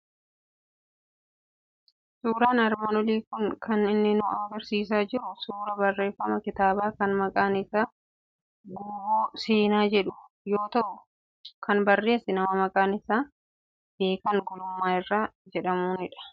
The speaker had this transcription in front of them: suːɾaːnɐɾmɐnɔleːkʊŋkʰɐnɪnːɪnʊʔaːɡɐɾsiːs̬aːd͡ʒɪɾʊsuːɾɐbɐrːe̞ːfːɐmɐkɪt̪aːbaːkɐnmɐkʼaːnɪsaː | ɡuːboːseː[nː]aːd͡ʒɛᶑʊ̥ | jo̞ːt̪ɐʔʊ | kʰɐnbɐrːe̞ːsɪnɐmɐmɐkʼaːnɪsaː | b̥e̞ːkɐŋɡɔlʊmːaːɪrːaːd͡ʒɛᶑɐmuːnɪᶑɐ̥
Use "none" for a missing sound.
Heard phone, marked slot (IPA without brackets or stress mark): n